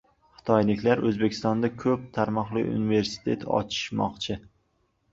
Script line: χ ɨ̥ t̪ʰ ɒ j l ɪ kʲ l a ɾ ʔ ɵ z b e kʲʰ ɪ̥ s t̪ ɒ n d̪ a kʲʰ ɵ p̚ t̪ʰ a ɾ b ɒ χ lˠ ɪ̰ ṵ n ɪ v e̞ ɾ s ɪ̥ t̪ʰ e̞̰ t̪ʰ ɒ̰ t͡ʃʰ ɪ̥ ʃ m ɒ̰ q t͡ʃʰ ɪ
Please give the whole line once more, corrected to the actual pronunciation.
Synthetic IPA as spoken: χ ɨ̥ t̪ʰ ɒ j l ɪ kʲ l a ɾ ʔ ɵ z b e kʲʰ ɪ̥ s t̪ ɒ n d̪ a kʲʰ ɵ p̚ t̪ʰ a ɾ m ɒ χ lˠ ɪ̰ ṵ n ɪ v e̞ ɾ s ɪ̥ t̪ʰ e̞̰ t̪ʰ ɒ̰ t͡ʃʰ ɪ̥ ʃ m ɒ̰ q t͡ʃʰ ɪ

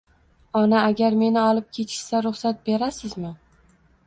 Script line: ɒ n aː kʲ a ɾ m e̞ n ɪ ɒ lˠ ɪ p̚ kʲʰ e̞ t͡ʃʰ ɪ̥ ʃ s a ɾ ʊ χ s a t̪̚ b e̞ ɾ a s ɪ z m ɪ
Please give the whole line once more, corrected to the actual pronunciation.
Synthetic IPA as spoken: ɒ n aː ɡʲ a ɾ m e̞ n ɪ ɒ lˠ ɪ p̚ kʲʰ e̞ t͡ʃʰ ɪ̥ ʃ s a ɾ ʊ χ s a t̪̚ b e̞ ɾ a s ɪ z m ɪ

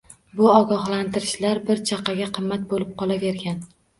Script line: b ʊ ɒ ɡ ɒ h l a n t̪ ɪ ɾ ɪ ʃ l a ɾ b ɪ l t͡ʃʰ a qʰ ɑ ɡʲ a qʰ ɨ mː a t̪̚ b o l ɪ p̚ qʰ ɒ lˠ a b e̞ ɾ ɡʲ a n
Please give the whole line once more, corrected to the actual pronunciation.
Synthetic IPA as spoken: b ʊ ɒ ɡ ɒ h l a n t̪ ɪ ɾ ɪ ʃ l a ɾ b ɪ ɾ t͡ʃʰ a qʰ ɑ ɡʲ a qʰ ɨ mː a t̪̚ b o l ɪ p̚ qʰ ɒ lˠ a v e̞ ɾ ɡʲ a n

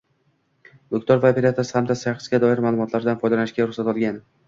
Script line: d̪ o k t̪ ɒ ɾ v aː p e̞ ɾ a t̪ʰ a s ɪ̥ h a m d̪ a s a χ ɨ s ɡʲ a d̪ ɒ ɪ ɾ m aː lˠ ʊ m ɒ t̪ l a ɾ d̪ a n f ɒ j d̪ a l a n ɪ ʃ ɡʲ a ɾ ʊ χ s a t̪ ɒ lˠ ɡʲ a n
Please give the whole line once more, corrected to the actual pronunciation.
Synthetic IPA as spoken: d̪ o k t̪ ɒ ɾ v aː p e̞ ɾ a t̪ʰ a s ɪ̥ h a m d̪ a s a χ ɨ s ɡʲ a d̪ ɒ ɪ ɾ m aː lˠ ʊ m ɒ t̪ l a ɾ d̪ a n f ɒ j d̪ a l a n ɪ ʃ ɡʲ a ɾ ʊ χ s a t̪ ɒ lˠ ɡʲ a n

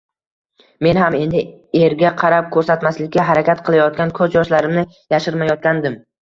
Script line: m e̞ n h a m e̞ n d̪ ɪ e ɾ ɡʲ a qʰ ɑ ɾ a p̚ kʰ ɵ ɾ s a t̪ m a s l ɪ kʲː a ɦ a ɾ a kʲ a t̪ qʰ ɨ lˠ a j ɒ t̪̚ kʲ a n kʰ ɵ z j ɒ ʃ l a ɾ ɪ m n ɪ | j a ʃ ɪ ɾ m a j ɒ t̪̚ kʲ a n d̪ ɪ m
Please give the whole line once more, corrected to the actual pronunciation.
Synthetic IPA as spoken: m e̞ n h a m e̞ n d̪ ɪ e ɾ ɡʲ a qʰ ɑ ɾ a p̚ kʰ ɵ ɾ s a t̪ m a s l ɪ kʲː a ɦ a ɾ a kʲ a t̪ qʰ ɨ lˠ a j ɒ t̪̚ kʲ a n kʰ ɵ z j ɒ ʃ l a ɾ ɪ m n ɪ | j a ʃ ɪ ɾ m a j ɒ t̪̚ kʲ a n d̪ ɪ m

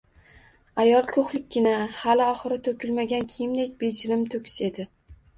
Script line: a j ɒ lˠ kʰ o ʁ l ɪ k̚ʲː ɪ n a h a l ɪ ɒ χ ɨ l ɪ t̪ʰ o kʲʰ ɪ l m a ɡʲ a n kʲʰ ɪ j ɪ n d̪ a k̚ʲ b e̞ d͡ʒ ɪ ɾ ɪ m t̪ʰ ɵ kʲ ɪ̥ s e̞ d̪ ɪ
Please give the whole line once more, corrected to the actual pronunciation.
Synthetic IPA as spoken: a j ɒ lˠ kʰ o χ l ɪ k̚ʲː ɪ n a h a l ɪ ɒ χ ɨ ɾ ɪ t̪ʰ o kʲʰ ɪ l m a ɡʲ a n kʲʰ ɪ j ɪ m d̪ e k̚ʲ b e̞ d͡ʒ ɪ ɾ ɪ m t̪ʰ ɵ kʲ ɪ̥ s e̞ d̪ ɪ

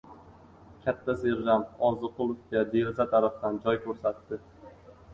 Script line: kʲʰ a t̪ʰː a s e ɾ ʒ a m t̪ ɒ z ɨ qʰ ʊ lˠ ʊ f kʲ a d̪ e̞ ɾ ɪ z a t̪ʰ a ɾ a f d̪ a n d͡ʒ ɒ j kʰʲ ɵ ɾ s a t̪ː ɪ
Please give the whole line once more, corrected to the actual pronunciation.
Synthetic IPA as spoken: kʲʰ a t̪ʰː a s e ɾ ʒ a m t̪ ɒ z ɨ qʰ ʊ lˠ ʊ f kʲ a d̪ e̞ ɾ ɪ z a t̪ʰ a ɾ a f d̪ a n d͡ʒ ɒ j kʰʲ ɵ ɾ s a t̪ː ɪ

